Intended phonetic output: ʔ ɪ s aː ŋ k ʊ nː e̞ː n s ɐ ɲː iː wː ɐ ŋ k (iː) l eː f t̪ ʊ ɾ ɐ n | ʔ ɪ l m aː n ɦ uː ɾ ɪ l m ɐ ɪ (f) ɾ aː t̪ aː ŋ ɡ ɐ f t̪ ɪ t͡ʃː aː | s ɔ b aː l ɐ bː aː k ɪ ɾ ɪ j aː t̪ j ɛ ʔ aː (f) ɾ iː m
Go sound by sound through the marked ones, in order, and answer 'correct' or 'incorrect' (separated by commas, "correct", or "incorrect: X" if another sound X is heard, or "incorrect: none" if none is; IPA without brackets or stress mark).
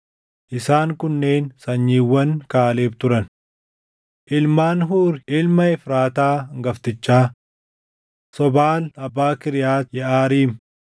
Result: incorrect: aː, correct, incorrect: none